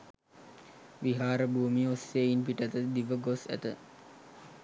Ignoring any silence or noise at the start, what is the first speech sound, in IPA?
ʋ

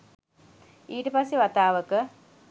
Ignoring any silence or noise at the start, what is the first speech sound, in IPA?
iː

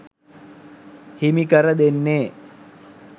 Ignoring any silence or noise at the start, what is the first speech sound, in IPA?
h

